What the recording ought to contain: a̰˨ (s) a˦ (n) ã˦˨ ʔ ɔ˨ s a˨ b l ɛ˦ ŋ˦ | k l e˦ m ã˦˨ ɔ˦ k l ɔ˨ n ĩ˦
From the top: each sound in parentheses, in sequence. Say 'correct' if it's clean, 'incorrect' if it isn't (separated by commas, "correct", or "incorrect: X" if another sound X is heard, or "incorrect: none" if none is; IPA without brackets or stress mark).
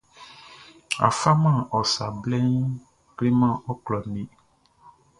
incorrect: f, incorrect: m